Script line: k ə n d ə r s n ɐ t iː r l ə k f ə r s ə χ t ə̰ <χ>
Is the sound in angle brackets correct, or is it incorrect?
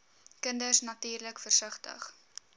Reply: correct